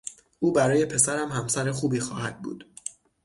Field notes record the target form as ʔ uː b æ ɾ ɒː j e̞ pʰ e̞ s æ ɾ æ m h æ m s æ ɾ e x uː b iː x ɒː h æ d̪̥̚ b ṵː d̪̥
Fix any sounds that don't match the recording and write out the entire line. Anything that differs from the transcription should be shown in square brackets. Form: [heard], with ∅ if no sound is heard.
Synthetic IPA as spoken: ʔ uː b æ ɾ ɒː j e̞ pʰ e̞ s æ ɾ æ m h æ m s æ ɾ e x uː b iː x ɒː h æ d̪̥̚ b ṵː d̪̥

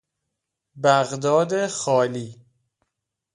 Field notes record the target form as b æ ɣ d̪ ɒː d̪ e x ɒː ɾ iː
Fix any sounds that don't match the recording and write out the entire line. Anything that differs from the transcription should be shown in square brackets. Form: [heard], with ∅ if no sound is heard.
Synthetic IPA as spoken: b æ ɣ d̪ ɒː d̪ e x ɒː [l] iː

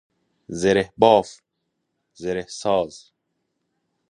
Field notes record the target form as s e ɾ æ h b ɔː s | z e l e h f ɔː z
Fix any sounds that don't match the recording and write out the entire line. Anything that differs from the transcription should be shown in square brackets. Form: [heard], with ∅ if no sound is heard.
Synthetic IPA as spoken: [z] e ɾ [e] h b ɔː [f] | z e [ɾ] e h [s] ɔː z

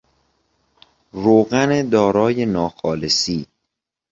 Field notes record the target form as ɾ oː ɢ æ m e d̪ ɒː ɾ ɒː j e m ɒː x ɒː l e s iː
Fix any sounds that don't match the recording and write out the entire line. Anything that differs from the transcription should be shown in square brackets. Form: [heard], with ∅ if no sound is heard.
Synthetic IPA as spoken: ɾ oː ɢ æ [n] e d̪ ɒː ɾ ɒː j e [n] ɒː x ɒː l e s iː

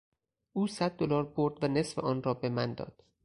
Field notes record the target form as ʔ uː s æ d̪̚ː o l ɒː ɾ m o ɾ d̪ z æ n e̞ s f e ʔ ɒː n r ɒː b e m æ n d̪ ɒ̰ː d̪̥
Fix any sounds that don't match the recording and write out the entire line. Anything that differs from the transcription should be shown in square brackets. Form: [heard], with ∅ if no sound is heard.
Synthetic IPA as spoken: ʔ uː s æ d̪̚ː o l ɒː ɾ [b] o ɾ d̪ [v] æ n e̞ s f e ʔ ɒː n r ɒː b e m æ n d̪ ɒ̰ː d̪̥

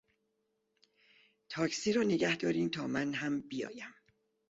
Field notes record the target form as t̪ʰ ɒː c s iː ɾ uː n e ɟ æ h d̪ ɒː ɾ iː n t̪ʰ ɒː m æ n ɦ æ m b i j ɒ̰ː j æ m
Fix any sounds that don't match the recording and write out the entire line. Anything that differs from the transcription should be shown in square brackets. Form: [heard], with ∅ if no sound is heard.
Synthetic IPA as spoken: t̪ʰ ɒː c s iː ɾ [ɒː] n e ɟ æ h d̪ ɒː ɾ iː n t̪ʰ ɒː m æ n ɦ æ m b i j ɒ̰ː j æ m

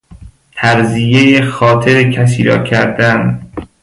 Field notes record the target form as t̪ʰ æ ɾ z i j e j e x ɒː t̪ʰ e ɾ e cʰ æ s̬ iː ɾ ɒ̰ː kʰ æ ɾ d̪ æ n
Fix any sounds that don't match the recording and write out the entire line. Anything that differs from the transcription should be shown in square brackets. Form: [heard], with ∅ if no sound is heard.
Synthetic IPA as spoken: t̪ʰ æ ɾ z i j e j e x ɒː t̪ʰ e ɾ e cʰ æ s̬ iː ɾ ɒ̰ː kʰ æ ɾ d̪ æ n

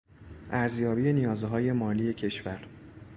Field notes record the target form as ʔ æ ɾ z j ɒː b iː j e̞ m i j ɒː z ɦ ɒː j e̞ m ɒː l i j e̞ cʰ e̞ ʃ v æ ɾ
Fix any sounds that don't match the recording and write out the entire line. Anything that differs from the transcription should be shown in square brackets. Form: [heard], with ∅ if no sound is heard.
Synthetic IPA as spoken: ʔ æ ɾ z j ɒː b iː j e̞ [n] i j ɒː z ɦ ɒː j e̞ m ɒː l i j e̞ cʰ e̞ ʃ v æ ɾ

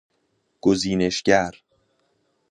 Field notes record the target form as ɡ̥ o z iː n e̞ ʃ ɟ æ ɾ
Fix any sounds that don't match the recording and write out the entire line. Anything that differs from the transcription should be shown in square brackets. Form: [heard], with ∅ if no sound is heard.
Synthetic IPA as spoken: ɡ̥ o z iː n e̞ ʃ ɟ æ ɾ

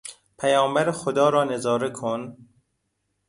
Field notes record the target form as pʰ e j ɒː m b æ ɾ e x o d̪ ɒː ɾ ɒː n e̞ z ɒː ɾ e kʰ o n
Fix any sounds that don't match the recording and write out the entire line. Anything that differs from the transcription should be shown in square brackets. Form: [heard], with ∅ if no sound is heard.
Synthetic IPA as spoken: pʰ [æ] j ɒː m b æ ɾ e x o d̪ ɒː ɾ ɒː n e̞ z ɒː ɾ e kʰ o n

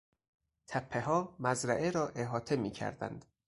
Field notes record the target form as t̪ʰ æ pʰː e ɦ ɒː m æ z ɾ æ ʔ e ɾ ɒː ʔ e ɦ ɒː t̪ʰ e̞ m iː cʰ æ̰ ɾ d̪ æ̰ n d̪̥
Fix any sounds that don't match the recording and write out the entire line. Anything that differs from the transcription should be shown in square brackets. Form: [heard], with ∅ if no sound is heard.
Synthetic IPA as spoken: t̪ʰ æ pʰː e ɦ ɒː m æ z ɾ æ ʔ e ɾ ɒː ʔ e ɦ ɒː t̪ʰ e̞ m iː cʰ æ̰ ɾ d̪ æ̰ n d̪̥

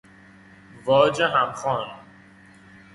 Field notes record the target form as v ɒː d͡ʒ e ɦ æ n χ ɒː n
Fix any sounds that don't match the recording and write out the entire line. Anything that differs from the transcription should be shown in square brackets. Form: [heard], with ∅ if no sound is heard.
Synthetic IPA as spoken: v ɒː d͡ʒ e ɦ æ [m] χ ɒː n

